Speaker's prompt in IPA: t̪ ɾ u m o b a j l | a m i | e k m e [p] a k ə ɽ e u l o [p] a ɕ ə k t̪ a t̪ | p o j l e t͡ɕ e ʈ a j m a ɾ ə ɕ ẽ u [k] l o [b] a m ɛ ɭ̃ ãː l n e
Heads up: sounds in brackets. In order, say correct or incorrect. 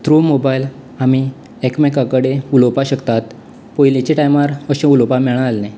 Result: incorrect, correct, incorrect, incorrect

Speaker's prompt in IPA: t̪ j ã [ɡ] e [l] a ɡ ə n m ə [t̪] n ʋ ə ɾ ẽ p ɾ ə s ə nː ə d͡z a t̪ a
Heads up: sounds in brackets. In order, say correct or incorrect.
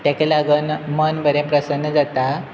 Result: incorrect, correct, incorrect

